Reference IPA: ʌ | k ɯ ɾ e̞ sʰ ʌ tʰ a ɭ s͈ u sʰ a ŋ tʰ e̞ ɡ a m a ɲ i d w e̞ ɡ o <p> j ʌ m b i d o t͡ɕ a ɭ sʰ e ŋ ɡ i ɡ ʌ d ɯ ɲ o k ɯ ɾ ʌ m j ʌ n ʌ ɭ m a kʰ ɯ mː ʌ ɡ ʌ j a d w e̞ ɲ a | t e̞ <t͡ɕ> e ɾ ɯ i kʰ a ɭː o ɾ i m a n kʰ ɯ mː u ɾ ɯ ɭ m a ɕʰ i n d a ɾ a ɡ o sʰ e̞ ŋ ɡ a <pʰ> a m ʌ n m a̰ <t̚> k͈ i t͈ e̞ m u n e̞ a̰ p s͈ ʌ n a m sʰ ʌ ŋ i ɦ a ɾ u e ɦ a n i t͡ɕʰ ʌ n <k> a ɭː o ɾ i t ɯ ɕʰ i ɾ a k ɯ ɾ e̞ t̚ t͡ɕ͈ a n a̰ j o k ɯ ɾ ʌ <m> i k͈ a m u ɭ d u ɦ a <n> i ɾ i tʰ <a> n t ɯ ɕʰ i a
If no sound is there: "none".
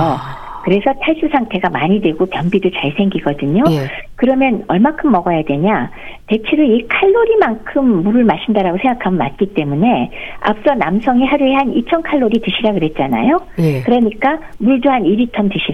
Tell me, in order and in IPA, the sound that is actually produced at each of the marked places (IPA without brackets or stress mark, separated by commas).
p, t͡ɕʰ, kʰ, t̚, kʰ, ɲ, n, ʌ